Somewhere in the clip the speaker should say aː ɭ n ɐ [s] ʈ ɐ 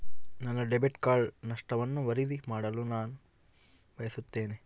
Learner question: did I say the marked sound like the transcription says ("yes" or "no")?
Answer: no